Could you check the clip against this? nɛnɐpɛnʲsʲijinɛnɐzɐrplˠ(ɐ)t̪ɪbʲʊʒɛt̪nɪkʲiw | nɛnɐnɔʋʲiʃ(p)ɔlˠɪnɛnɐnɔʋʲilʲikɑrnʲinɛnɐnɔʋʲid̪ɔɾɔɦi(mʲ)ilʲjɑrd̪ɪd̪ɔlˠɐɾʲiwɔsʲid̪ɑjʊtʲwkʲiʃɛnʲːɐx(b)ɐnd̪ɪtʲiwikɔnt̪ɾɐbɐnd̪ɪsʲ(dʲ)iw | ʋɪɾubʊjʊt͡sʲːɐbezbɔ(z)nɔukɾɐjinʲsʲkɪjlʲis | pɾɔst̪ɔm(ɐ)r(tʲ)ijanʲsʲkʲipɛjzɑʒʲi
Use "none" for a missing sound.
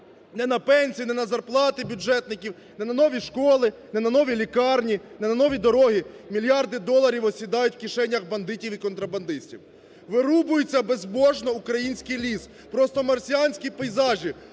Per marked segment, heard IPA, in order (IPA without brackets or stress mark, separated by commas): ɑ, k, mʲ, b, tʲ, ʒ, ɐ, sʲ